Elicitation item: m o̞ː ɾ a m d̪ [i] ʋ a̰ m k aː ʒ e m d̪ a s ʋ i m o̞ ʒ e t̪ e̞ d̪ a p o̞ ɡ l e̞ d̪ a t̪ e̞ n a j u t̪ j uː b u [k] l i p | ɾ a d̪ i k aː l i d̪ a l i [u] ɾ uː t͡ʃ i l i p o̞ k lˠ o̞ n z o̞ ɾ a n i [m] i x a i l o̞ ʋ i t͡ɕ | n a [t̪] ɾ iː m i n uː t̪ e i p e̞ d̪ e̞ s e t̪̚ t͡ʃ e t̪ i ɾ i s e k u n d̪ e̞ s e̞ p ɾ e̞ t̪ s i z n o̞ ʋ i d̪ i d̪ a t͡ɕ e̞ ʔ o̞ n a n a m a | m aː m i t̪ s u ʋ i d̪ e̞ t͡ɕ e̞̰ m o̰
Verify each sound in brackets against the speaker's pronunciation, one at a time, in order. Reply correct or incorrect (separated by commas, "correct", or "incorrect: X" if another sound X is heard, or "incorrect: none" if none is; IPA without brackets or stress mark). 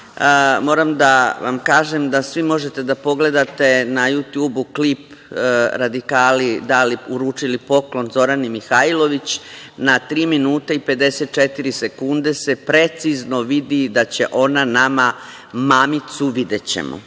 incorrect: a, correct, correct, correct, correct